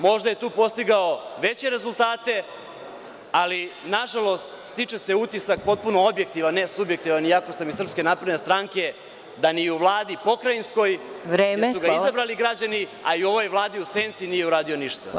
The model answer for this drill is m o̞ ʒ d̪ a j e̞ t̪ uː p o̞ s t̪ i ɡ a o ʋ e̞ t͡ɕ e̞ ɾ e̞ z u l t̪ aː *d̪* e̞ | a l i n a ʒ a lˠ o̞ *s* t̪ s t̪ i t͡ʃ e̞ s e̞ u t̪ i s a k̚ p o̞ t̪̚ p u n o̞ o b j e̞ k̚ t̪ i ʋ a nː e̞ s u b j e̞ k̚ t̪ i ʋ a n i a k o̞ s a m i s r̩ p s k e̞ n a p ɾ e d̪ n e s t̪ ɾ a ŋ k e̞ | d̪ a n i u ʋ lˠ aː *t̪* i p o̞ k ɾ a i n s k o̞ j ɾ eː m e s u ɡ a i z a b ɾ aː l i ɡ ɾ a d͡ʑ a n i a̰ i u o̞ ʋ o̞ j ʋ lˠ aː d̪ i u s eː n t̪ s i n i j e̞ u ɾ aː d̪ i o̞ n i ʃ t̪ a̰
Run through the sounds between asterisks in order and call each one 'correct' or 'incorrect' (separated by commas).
incorrect, correct, incorrect